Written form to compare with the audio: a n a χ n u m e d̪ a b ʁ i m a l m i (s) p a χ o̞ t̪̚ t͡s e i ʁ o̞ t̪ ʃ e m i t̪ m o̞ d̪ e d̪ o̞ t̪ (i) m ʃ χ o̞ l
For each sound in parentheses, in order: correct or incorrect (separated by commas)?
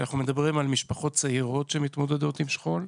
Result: incorrect, correct